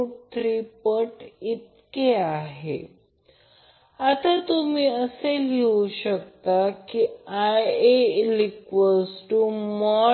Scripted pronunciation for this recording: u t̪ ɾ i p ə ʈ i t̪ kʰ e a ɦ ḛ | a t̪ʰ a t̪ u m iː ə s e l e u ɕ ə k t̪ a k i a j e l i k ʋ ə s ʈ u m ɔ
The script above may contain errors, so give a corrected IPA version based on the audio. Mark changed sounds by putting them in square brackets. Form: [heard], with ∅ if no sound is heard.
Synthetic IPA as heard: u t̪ ɾ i p ə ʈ i t̪ [k] e a ɦ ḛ | a [t̪] a t̪ u m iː ə s e l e u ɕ ə k t̪ a k i a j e l i k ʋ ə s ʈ u m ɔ